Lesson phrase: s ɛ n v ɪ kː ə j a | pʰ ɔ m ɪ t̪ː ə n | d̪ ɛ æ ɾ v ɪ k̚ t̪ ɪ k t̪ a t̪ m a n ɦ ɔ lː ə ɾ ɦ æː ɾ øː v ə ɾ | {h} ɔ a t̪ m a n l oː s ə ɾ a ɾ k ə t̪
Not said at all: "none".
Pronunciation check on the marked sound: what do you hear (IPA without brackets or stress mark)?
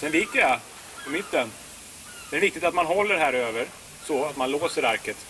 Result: s